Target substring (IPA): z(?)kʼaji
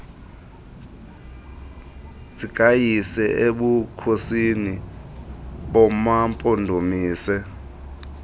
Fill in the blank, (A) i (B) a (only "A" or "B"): A